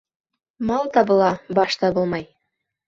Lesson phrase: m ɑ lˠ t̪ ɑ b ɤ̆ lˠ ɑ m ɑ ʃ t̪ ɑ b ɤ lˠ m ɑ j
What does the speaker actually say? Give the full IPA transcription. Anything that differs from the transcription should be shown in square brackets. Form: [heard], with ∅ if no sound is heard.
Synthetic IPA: m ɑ lˠ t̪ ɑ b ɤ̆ lˠ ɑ [b] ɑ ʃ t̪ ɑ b ɤ lˠ m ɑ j